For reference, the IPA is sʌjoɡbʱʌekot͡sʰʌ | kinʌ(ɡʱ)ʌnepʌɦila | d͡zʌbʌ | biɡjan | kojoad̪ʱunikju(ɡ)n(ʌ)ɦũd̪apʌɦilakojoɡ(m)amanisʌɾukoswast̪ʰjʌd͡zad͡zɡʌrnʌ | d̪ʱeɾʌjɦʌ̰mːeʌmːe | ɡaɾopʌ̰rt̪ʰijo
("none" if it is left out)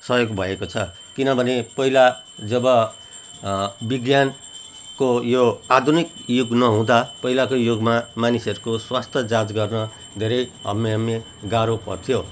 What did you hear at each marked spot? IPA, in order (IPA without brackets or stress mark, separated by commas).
bʱ, ɡ, ʌ, m